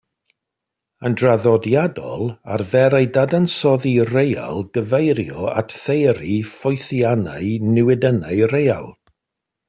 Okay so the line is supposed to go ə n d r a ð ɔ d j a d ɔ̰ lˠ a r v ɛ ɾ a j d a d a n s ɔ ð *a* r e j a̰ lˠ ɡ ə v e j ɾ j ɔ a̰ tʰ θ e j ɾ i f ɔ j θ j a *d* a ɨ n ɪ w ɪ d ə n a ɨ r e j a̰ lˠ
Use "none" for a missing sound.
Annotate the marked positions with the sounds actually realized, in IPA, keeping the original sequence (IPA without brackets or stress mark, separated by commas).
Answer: i, n